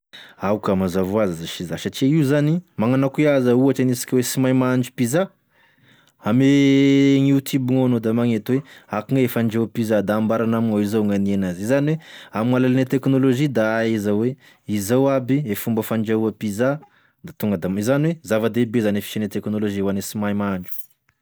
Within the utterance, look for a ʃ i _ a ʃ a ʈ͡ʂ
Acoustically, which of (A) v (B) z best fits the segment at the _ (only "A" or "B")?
B